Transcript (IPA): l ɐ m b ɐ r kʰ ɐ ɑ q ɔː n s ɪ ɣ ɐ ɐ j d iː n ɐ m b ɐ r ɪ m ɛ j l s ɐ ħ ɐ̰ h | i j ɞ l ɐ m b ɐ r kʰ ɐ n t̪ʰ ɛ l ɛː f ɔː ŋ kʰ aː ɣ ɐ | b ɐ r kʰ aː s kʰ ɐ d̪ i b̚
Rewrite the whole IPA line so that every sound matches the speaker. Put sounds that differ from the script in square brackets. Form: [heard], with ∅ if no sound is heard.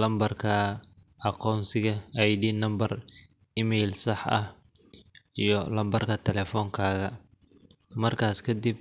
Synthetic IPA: l ɐ m b ɐ r kʰ ɐ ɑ q ɔː n s ɪ ɣ ɐ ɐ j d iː n ɐ m b ɐ r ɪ m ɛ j l s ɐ ħ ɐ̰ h | i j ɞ l ɐ m b ɐ r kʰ ɐ [∅] t̪ʰ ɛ l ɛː f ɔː ŋ kʰ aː ɣ ɐ | [m] ɐ r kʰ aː s kʰ ɐ d̪ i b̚